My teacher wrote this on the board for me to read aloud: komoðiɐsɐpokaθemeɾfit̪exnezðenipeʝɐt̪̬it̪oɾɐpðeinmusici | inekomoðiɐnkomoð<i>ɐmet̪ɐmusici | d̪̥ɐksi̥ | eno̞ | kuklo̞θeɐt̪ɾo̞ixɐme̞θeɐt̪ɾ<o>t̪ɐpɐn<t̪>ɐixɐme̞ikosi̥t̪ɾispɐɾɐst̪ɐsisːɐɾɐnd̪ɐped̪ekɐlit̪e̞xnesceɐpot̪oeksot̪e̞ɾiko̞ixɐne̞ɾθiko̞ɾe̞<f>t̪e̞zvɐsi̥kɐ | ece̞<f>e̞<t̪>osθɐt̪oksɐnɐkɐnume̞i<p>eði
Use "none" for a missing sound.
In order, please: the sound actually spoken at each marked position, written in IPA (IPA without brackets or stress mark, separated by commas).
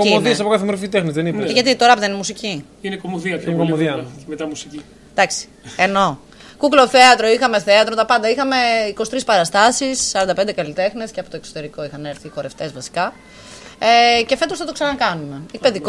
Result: i, o, d̪, f, f, t̪, p